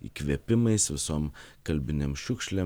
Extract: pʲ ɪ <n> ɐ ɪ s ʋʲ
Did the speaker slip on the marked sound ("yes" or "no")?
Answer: yes